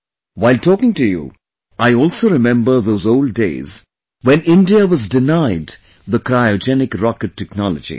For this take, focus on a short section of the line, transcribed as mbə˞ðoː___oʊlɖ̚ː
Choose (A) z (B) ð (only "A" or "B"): A